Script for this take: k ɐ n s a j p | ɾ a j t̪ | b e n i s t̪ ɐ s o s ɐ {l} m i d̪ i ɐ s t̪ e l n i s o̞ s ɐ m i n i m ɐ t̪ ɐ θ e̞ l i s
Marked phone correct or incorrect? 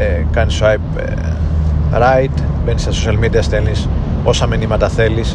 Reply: correct